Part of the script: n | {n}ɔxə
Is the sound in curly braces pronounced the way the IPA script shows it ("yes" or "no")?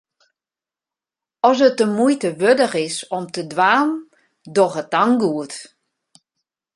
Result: no